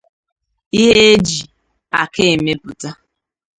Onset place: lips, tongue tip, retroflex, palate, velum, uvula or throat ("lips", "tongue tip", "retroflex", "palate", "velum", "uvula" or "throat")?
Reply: throat